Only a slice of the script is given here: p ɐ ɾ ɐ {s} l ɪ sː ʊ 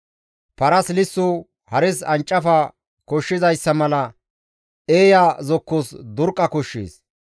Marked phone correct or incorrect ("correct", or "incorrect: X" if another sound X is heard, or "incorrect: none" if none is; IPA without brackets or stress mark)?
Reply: correct